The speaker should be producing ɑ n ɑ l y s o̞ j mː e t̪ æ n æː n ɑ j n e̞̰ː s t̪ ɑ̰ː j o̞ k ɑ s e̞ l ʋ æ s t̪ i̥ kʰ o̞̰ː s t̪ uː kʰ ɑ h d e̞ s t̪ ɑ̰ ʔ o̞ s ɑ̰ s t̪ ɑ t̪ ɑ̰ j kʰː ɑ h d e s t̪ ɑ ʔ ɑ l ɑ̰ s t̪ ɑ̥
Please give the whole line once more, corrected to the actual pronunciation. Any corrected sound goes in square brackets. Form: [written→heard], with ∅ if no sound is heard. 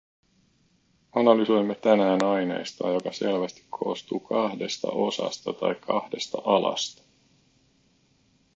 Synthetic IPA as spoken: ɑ n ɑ l y s o̞ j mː e t̪ æ n æː n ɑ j n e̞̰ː s t̪ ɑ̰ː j o̞ k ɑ s e̞ l ʋ æ s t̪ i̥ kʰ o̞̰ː s t̪ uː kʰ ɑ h d e̞ s t̪ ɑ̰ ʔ o̞ s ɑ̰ s t̪ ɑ t̪ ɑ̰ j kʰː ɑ h d e s t̪ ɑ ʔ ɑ l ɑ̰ s t̪ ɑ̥